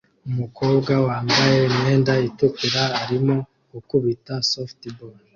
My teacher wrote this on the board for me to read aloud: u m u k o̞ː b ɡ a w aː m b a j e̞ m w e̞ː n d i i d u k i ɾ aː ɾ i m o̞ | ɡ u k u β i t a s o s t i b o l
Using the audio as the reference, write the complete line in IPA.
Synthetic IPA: u m u k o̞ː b ɡ a w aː m b a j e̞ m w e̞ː n d a i t u k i ɾ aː ɾ i m o̞ | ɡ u k u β i t a s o f t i b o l